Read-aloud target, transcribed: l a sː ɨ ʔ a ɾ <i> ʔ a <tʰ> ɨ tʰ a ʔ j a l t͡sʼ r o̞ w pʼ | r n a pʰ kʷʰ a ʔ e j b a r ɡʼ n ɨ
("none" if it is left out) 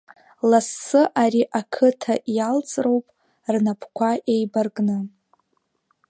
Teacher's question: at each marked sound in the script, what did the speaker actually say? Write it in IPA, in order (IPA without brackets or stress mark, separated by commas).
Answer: i, kʰ